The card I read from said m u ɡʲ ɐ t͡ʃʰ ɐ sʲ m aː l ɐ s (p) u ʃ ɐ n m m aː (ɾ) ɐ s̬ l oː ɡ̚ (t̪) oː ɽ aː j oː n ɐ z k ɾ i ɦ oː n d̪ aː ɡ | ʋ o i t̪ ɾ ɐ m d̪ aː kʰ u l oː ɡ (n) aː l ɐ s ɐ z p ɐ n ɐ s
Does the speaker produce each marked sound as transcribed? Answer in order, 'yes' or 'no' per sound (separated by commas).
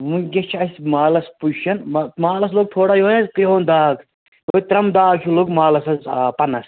yes, no, no, no